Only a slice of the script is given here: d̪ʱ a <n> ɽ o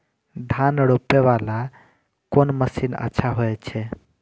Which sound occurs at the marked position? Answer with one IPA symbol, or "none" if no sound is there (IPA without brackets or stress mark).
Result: n